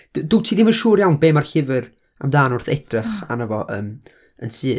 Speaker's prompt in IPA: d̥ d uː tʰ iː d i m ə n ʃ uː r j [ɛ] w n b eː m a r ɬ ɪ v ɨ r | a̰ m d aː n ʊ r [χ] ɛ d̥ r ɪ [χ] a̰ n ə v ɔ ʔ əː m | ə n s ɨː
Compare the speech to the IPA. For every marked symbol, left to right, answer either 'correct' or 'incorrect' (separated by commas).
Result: incorrect, incorrect, correct